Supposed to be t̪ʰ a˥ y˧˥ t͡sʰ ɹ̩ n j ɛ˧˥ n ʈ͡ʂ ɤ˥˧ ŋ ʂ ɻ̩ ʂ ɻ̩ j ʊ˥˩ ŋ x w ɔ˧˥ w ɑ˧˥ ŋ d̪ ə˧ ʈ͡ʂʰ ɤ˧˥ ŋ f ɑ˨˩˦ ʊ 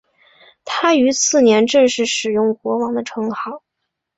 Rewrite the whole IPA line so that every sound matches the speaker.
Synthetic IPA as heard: t̪ʰ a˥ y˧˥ t͡sʰ ɹ̩ n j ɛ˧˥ n ʈ͡ʂ ɤ˥˧ ŋ ʂ ɻ̩ ʂ ɻ̩ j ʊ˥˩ ŋ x w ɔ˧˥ w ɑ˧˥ ŋ d̪ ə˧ ʈ͡ʂʰ ɤ˧˥ ŋ x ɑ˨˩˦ ʊ